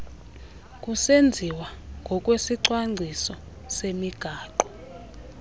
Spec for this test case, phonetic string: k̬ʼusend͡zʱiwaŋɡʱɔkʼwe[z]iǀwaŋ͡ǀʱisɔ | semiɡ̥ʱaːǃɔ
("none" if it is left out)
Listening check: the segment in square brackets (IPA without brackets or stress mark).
s